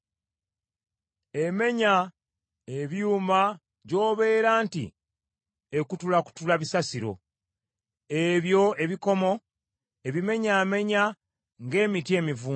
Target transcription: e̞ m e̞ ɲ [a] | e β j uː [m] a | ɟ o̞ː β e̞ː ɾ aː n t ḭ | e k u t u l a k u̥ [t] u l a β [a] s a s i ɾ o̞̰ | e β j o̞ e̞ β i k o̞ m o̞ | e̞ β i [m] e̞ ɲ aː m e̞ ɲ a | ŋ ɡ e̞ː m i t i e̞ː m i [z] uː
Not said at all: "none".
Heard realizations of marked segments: a, m, t, i, m, v

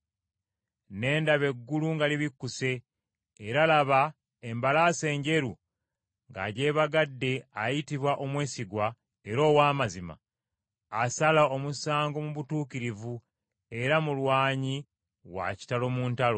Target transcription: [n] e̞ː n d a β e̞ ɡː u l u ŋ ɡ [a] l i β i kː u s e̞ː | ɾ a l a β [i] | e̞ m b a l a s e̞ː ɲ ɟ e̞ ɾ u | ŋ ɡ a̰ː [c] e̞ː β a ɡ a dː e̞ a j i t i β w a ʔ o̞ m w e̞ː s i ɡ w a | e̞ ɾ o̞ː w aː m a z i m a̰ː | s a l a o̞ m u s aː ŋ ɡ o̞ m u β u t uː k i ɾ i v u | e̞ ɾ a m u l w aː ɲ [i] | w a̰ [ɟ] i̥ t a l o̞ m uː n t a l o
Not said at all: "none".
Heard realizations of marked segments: n, a, a, ɟ, i, c

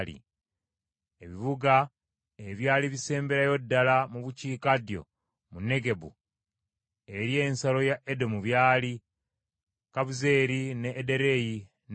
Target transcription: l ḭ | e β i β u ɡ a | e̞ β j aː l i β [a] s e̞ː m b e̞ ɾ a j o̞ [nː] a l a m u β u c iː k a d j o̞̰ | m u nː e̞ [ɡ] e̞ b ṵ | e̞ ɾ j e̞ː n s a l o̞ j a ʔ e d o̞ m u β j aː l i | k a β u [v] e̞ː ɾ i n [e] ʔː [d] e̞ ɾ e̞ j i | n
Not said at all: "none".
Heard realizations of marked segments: i, dː, ɡ, z, e, d

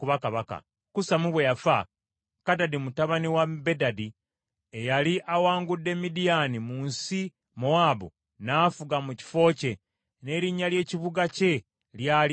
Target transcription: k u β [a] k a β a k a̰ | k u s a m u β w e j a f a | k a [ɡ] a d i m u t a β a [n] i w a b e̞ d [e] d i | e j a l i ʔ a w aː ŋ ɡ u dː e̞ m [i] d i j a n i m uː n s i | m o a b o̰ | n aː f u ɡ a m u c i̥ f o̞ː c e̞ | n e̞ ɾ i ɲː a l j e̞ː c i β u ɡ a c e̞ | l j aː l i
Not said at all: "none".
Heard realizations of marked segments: a, d, n, a, i

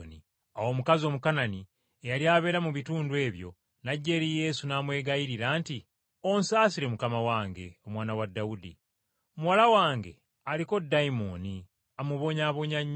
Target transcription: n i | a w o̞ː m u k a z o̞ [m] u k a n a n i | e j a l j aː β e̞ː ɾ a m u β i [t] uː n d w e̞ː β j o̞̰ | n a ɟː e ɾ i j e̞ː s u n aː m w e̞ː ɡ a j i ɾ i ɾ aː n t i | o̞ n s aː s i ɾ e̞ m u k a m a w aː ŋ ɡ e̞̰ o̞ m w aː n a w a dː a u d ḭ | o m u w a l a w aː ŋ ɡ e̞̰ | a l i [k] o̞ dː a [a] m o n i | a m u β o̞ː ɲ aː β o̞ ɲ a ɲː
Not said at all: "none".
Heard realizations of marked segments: m, t, k, i

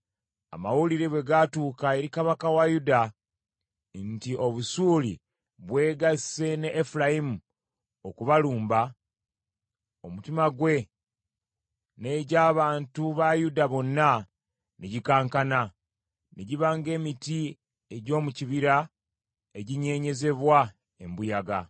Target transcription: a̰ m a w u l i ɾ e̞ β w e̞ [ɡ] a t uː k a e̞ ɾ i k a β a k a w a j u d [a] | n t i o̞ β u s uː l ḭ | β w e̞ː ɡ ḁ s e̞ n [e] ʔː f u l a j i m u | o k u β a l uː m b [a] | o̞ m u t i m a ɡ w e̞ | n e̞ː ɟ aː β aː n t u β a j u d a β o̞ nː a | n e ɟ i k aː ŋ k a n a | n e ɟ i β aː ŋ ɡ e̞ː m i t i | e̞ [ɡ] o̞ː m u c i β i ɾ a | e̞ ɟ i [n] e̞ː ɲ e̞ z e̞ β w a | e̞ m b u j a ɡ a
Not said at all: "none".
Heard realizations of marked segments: ɡ, a, e, a, ɟ, ɲ

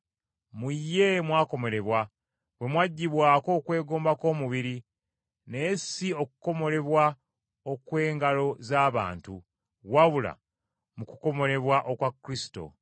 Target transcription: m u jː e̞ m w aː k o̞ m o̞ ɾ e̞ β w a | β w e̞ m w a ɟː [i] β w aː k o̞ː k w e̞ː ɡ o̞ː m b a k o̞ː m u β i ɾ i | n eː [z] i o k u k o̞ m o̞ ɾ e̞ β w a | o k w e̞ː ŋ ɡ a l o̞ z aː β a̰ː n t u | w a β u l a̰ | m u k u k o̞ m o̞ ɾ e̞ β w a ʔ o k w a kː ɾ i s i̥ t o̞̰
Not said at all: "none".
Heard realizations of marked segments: i, s

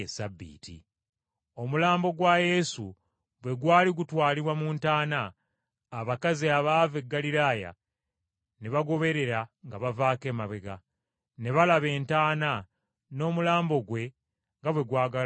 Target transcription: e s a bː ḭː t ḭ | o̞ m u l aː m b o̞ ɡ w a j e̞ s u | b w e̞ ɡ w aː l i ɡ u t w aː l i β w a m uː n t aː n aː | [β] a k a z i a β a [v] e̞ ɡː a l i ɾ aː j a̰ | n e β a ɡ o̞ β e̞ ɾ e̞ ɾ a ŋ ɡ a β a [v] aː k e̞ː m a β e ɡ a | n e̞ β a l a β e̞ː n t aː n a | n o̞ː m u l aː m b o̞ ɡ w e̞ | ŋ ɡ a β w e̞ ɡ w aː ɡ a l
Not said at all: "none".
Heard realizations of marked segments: β, v, v

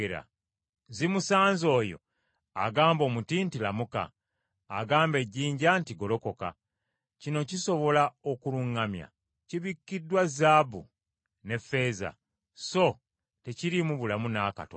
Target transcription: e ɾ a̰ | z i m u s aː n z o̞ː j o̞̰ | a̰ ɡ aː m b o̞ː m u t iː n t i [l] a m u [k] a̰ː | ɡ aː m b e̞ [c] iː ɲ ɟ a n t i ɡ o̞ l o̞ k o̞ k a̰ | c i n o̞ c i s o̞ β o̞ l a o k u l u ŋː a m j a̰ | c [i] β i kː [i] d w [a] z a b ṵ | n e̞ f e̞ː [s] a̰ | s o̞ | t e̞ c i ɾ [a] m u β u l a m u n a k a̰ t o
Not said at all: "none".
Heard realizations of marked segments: l, k, ɟ, i, i, a, z, i

